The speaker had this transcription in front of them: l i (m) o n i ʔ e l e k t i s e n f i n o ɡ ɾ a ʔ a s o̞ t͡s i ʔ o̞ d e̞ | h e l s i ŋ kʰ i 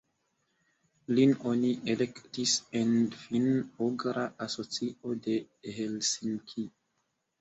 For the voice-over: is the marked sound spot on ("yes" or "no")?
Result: no